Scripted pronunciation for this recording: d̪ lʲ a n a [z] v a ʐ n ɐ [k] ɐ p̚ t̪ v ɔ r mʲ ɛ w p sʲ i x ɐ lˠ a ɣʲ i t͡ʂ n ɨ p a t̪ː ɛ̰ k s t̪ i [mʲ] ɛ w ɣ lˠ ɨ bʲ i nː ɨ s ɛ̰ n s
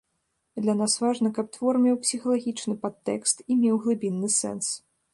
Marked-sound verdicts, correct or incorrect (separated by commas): incorrect, correct, correct